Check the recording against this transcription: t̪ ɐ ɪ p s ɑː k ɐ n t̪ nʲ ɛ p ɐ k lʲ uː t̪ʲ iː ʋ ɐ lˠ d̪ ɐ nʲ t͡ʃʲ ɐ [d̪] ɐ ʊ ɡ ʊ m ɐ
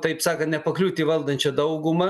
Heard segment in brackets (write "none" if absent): d̪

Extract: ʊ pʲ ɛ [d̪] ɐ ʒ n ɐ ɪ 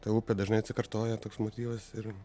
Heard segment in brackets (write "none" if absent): d̪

